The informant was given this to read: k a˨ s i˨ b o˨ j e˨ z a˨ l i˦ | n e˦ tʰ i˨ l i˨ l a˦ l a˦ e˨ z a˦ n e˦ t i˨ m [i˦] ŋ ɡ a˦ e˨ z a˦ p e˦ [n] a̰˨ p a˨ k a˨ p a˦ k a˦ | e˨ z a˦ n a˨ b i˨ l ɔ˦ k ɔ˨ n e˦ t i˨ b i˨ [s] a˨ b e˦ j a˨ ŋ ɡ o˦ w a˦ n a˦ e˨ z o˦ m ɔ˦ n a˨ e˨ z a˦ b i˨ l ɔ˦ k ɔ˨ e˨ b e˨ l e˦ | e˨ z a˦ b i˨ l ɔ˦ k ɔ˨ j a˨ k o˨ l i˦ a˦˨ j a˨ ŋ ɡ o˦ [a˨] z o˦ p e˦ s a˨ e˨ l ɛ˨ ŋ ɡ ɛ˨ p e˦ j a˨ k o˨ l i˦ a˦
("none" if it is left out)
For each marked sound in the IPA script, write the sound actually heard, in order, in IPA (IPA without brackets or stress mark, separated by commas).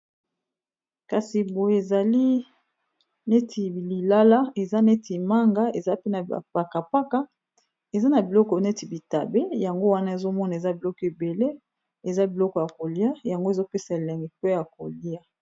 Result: a˦, n, t, e˨